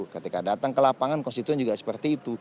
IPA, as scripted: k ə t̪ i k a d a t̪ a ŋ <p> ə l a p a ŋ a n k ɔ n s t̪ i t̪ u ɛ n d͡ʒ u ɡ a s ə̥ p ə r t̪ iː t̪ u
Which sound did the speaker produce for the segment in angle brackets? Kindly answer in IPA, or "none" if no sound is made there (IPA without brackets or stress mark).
k